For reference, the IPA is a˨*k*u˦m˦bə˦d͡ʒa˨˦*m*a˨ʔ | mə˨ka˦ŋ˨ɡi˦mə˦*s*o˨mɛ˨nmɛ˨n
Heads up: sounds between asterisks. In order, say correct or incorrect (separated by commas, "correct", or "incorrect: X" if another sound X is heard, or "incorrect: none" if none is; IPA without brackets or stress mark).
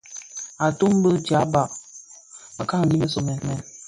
incorrect: t, incorrect: b, correct